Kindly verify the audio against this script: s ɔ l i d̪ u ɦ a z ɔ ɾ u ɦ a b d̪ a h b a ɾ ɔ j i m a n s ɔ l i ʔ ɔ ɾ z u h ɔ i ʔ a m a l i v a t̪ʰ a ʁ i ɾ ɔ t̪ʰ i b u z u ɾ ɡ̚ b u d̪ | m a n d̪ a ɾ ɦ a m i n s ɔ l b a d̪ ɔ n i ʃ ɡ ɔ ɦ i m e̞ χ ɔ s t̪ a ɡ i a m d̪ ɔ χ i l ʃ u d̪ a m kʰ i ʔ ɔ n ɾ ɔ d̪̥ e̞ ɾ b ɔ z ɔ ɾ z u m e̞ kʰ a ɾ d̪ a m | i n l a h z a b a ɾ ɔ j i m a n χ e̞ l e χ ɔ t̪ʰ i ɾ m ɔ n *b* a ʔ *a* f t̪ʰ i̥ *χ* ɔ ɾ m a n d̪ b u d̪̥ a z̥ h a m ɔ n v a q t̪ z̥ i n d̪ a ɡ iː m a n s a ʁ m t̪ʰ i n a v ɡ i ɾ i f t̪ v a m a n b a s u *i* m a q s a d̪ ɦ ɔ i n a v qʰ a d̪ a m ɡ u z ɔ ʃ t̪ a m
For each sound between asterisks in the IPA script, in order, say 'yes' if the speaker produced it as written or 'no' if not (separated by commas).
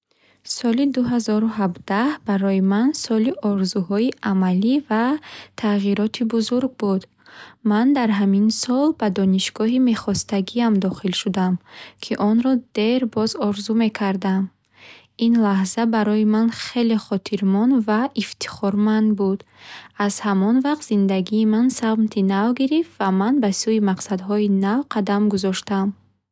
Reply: no, no, yes, yes